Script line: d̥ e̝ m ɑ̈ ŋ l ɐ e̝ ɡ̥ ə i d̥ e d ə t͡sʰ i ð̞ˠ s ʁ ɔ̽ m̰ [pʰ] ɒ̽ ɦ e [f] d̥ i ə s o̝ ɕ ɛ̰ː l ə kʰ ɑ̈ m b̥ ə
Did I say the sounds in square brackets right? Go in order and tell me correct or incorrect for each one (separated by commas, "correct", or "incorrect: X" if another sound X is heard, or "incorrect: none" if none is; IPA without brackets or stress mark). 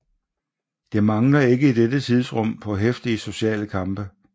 correct, correct